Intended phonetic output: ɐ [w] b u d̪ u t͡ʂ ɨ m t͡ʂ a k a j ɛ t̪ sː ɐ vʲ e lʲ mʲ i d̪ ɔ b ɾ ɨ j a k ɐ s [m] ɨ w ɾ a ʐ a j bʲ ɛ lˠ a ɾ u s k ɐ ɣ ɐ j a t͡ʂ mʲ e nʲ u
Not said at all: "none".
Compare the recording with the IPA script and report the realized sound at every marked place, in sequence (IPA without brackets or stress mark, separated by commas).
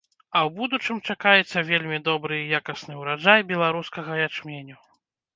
w, n